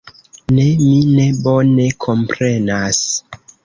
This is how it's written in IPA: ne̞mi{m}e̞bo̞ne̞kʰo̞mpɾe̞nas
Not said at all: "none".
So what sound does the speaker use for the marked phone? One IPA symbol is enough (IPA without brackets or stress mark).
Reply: n